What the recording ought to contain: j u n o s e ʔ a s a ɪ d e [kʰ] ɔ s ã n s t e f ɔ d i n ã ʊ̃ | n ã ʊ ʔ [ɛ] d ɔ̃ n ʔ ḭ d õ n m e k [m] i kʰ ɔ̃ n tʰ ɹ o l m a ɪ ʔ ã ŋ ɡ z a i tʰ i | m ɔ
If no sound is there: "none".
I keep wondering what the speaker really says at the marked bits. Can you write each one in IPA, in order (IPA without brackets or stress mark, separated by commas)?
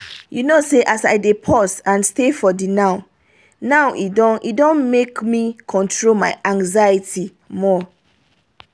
pʰ, i, m